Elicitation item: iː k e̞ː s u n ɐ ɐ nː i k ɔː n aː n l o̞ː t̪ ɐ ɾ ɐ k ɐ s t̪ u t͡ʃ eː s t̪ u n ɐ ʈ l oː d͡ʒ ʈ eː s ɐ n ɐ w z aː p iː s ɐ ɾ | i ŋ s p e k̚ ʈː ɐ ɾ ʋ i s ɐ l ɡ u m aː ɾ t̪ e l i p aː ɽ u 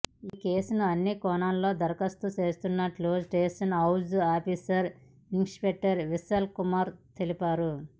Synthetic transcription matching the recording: iː k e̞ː s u n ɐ ɐ nː i k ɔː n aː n l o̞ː d̪ ɐ ɾ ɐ k ɐ s t̪ u t͡ʃ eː s t̪ u nː ɐ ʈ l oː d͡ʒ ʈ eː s ɐ n ɐ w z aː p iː s ɐ ɾ | i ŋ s p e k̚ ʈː ɐ ɾ ʋ i s ɐ l k u m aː ɾ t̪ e l i p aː ɾ u